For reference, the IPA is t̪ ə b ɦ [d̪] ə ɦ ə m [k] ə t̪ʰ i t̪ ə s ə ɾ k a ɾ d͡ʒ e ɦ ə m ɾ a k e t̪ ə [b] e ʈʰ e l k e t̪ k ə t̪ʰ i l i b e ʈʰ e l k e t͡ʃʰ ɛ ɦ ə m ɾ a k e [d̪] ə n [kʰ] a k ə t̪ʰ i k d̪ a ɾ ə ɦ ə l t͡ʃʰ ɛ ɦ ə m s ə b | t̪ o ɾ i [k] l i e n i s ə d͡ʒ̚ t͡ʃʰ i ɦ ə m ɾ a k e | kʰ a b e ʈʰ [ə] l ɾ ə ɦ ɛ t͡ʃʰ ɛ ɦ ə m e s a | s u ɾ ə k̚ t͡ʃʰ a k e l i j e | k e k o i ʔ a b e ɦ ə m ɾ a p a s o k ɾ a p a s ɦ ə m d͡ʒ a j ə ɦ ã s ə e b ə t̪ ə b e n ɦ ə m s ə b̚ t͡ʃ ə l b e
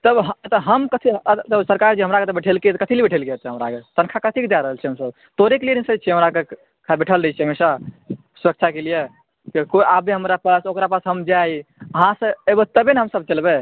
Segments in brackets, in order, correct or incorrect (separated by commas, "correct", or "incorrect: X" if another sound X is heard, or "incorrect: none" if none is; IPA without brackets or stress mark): incorrect: t̪, correct, correct, incorrect: t̪, correct, correct, correct